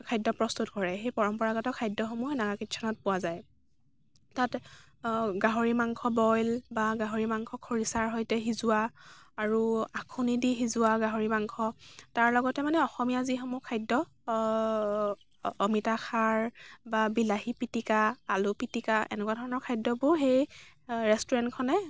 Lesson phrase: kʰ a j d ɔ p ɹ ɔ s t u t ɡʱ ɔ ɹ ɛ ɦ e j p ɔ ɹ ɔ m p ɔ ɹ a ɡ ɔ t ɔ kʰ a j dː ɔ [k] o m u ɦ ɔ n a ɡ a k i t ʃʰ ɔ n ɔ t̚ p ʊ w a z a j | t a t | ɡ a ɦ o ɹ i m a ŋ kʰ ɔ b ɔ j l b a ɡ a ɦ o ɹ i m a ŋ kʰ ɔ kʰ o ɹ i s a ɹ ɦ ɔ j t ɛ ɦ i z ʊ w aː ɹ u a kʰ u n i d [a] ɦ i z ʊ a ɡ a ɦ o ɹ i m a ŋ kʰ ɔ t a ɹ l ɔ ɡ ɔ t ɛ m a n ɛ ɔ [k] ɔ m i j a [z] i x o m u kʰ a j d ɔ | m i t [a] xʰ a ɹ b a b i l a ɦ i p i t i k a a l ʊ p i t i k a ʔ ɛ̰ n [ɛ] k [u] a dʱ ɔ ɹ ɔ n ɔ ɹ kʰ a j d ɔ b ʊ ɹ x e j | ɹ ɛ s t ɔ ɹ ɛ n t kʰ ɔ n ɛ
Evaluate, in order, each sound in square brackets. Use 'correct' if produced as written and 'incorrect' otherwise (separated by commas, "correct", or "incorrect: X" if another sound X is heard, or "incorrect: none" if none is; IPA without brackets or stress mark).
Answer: incorrect: x, incorrect: i, incorrect: x, correct, correct, correct, incorrect: w